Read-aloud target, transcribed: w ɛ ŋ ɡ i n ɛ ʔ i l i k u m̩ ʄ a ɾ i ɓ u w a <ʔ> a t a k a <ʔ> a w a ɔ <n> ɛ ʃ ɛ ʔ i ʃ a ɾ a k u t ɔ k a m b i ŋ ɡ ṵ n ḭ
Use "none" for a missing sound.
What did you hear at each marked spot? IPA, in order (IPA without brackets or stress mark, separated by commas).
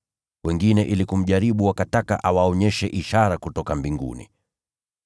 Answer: k, ʔ, ɲ